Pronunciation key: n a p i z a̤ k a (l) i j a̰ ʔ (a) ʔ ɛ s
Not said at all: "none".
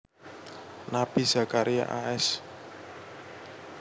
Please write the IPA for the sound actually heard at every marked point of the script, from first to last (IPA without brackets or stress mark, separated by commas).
ɾ, a